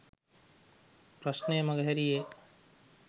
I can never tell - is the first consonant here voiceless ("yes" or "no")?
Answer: yes